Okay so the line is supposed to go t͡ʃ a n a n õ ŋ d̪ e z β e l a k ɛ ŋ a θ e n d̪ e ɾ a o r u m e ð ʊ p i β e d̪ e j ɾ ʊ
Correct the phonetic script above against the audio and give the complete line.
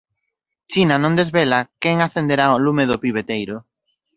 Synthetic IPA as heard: t͡ʃ i n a n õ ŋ d̪ e z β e l a k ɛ ŋ a θ e n d̪ e ɾ a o l u m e ð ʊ p i β e t̪ e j ɾ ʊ